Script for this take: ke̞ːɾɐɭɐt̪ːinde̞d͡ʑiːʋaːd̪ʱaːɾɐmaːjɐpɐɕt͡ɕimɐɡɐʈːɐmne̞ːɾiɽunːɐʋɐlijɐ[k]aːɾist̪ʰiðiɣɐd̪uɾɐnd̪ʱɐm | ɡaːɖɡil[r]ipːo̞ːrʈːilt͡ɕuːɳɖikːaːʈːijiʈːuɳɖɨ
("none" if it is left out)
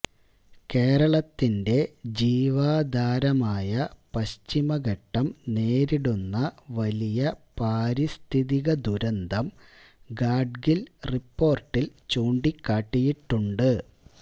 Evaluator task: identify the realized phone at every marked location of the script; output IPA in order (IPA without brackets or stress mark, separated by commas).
p, r